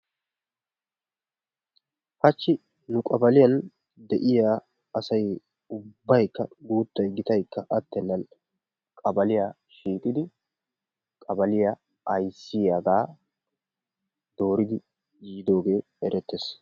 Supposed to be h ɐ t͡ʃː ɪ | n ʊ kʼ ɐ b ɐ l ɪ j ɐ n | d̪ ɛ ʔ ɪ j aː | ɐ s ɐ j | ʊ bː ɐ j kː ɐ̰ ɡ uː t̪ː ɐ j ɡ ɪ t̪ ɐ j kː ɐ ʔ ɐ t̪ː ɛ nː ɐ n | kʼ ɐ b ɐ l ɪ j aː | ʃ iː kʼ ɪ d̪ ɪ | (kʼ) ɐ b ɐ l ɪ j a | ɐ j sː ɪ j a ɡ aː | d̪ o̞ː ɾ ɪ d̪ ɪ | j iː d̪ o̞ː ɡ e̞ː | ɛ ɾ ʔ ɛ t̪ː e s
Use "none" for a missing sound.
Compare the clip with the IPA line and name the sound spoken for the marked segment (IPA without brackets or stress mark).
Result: kʼ